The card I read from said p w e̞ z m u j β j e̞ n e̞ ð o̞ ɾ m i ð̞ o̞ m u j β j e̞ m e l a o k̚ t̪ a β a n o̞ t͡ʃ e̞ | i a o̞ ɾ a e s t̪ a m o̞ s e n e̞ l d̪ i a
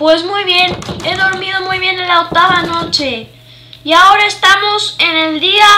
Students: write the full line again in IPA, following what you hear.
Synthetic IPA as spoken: p w e̞ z m u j β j e̞ n e̞ ð o̞ ɾ m i ð̞ o̞ m u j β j e̞ n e l a o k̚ t̪ a β a n o̞ t͡ʃ e̞ | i a o̞ ɾ a e s t̪ a m o̞ s e n e̞ l d̪ i a